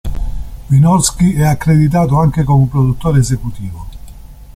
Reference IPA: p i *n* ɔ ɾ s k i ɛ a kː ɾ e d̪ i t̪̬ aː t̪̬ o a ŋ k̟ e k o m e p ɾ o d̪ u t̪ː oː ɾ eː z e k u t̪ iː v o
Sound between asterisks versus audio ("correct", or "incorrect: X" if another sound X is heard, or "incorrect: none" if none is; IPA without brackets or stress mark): correct